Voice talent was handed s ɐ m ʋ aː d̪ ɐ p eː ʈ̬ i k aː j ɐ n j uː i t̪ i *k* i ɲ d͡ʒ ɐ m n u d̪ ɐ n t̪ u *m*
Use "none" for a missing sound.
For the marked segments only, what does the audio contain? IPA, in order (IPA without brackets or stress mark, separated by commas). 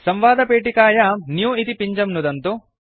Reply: p, none